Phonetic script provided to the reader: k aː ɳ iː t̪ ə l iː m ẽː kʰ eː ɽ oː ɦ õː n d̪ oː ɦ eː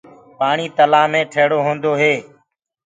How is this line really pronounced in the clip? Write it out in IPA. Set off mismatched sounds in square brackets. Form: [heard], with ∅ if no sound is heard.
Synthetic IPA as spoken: [p] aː ɳ iː t̪ ə l [aː] m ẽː [ʈʰ] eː ɽ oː ɦ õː n d̪ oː ɦ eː